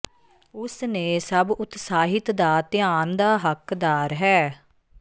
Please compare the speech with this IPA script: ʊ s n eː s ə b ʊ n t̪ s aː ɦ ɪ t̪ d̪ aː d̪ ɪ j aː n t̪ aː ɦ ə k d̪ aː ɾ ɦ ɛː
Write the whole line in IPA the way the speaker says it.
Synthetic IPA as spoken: ʊ s n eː s ə b ʊ t̪ s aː ɦ ɪ t̪ d̪ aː t̪ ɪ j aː n d̪ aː ɦ ə k d̪ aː ɾ ɦ ɛː